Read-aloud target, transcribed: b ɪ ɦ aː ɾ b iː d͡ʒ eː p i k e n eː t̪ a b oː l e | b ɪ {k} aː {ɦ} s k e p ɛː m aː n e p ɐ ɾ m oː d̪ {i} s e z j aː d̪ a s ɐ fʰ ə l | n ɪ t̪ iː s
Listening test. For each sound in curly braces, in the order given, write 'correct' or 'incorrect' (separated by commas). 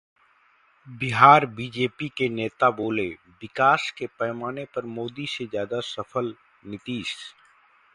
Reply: correct, incorrect, correct